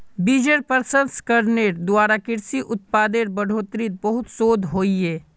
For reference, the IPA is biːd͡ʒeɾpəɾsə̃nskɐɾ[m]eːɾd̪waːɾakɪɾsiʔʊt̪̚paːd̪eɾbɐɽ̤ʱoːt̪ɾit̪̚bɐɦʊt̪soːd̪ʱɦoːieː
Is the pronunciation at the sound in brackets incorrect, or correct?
incorrect